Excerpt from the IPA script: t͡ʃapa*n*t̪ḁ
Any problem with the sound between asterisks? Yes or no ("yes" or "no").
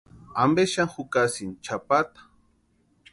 yes